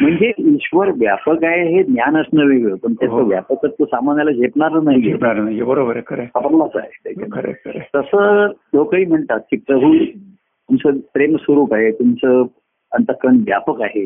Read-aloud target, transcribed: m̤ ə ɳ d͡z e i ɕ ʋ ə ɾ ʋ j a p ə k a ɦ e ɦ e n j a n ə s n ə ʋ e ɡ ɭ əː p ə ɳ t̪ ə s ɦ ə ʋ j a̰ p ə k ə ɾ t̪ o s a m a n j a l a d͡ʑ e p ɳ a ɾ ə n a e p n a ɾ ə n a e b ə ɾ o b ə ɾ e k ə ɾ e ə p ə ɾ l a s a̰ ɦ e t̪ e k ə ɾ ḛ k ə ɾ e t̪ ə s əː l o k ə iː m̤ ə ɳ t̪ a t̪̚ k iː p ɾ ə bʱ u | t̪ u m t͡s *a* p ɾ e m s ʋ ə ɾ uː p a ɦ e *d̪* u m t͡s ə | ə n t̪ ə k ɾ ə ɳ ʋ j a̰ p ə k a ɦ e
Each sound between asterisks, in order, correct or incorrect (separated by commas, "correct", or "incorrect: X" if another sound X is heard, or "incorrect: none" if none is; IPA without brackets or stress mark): incorrect: ə, incorrect: t̪